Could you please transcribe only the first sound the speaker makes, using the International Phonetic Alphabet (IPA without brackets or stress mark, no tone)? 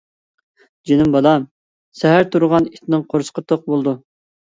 d͡ʒ